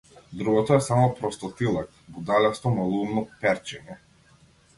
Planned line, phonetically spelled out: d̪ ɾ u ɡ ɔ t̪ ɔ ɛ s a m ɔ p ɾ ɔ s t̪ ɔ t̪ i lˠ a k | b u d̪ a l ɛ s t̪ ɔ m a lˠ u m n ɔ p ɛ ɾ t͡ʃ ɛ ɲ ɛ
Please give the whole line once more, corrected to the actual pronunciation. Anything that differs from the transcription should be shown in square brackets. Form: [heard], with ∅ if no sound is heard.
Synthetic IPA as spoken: d̪ ɾ u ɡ ɔ t̪ ɔ ɛ s a m ɔ p ɾ ɔ s t̪ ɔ t̪ i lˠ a k | b u d̪ a l ɛ s t̪ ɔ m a lˠ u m n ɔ p ɛ ɾ t͡ʃ ɛ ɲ ɛ